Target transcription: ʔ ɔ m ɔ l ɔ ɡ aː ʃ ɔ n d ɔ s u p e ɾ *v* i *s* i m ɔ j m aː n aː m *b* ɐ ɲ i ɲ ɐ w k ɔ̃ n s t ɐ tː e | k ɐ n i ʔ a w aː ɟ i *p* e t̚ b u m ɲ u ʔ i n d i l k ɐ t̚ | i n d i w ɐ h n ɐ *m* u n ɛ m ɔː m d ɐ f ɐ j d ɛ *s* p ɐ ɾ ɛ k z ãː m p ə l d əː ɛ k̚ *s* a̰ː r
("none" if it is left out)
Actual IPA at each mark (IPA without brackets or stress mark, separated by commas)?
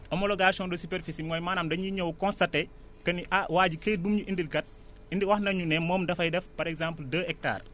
f, s, d, k, ɲ, f, t